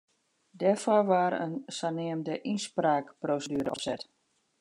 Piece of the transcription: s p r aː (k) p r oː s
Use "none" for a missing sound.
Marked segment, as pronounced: k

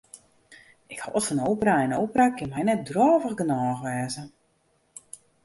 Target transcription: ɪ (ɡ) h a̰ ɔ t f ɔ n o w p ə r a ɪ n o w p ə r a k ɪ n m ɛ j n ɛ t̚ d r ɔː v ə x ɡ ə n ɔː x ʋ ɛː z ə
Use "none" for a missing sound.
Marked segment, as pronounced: k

